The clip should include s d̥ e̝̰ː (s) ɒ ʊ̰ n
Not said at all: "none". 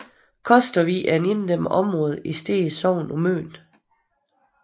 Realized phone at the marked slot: s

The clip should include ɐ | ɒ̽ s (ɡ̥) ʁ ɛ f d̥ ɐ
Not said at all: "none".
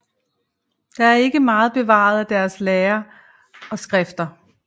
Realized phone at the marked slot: ɡ̥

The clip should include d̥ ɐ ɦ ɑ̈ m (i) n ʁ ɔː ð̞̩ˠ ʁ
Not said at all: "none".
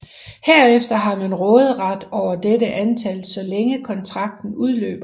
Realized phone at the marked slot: æ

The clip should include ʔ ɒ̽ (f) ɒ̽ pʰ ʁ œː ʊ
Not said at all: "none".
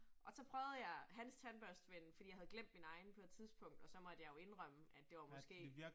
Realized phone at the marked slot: s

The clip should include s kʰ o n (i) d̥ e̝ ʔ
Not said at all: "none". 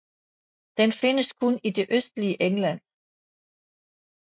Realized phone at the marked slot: i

